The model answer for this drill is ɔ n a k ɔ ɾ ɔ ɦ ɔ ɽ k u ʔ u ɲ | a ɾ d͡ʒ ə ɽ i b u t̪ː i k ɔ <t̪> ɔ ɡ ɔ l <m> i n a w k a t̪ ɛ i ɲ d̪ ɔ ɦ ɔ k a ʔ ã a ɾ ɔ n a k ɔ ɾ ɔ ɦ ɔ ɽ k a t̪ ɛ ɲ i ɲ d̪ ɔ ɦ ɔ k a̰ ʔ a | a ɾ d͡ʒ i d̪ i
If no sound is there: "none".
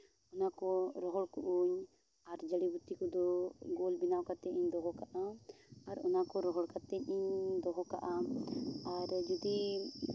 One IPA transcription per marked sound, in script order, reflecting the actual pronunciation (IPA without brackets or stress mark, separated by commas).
d̪, b